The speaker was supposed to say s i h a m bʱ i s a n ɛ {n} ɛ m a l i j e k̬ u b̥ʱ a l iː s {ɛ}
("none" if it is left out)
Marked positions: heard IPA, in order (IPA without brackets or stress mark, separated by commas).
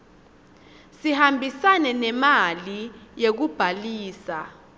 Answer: n, a